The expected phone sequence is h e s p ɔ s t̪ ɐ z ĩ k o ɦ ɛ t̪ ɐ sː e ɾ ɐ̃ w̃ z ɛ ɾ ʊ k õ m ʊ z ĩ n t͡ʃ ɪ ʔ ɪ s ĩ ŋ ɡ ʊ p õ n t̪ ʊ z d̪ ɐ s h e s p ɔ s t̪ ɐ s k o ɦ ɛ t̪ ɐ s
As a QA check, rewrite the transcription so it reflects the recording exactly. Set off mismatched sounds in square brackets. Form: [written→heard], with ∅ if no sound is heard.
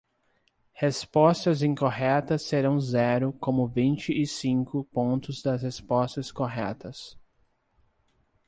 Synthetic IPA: h e s p ɔ s t̪ ɐ z ĩ k o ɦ ɛ t̪ ɐ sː e ɾ ɐ̃ w̃ z ɛ ɾ ʊ k õ m ʊ [z→v] ĩ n t͡ʃ ɪ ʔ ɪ s ĩ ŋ [ɡ→k] ʊ p õ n t̪ ʊ z d̪ ɐ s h e s p ɔ s t̪ ɐ s k o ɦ ɛ t̪ ɐ s